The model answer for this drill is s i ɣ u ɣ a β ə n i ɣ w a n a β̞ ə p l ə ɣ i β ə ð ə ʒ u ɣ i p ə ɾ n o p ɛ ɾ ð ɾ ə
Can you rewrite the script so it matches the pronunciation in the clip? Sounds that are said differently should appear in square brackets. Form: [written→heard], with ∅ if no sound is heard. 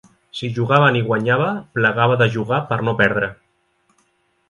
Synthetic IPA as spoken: s i [ɣ→ʒ] u ɣ a β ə n i ɣ w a [n→ɲ] a β̞ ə p l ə ɣ [i→a] β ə ð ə ʒ u ɣ [i→a] p ə ɾ n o p ɛ ɾ ð ɾ ə